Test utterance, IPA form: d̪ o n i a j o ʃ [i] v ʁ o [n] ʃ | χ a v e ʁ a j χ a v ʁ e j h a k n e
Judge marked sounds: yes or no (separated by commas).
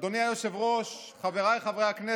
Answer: no, no